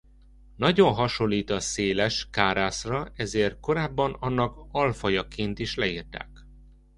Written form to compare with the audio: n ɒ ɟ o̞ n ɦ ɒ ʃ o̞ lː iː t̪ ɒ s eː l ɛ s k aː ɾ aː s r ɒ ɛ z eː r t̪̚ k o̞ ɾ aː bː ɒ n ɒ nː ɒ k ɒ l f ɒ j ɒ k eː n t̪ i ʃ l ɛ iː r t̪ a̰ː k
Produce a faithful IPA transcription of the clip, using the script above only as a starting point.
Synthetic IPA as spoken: n ɒ ɟ o̞ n ɦ ɒ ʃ o̞ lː iː t̪ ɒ s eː l ɛ ʃ k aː ɾ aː s r ɒ ɛ z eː r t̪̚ k o̞ ɾ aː bː ɒ n ɒ nː ɒ k ɒ l f ɒ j ɒ k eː n t̪ i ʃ l ɛ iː r t̪ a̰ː k

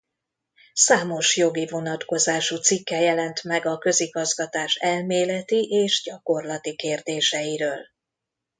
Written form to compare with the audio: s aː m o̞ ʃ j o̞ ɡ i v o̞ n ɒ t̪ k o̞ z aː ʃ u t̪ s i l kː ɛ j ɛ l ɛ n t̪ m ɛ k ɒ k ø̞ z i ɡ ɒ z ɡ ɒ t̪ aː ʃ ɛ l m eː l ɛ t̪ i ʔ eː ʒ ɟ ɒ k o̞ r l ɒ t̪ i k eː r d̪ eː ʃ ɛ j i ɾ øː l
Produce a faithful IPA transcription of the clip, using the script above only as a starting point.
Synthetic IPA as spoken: s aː m o̞ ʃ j o̞ ɡ i v o̞ n ɒ t̪ k o̞ z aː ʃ u t̪ s i kː ɛ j ɛ l ɛ n t̪ m ɛ ɡ ɒ k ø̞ z i ɡ ɒ z ɡ ɒ t̪ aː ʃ ɛ l m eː l ɛ t̪ i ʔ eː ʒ ɟ ɒ k o̞ r l ɒ t̪ i k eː r d̪ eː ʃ ɛ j i ɾ øː l

